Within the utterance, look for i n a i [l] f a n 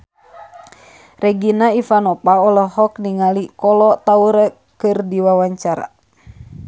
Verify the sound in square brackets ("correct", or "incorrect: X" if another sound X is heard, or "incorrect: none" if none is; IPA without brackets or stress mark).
incorrect: none